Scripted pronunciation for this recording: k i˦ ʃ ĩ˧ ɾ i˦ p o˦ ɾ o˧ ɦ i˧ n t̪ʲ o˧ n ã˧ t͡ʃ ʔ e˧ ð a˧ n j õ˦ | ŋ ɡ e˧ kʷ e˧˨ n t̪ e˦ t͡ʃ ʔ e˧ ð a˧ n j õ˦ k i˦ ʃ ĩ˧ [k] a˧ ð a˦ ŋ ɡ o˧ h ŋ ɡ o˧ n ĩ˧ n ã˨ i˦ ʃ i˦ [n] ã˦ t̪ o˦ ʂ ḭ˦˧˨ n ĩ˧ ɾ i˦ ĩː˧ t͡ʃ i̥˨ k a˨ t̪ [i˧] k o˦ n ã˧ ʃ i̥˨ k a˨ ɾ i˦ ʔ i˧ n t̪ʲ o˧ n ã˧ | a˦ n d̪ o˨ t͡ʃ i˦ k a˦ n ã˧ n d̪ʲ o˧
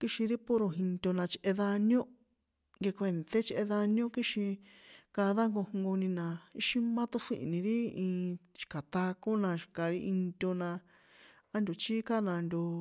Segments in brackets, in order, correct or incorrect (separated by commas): correct, incorrect, incorrect